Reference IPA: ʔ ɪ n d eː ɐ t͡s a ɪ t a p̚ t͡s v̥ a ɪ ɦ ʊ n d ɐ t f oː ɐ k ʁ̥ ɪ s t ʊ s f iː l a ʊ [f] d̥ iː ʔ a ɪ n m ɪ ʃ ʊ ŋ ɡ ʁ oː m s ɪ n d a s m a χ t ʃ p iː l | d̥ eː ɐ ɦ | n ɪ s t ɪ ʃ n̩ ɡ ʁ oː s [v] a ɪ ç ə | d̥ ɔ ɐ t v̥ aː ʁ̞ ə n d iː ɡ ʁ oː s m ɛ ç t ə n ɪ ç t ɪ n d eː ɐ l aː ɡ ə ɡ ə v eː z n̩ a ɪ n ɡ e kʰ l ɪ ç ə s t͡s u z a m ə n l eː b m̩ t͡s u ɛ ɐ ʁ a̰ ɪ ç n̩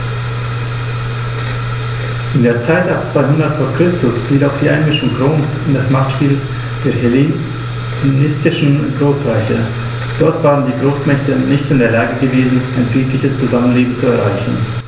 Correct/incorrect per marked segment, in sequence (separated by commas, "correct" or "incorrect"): incorrect, incorrect